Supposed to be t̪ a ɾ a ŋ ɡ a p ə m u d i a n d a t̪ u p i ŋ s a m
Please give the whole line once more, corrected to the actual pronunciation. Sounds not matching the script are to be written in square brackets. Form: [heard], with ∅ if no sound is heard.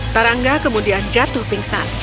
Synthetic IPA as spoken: t̪ a ɾ a ŋ ɡ a [k] ə m u d i a n [d͡ʒ] a t̪ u p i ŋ s a [n]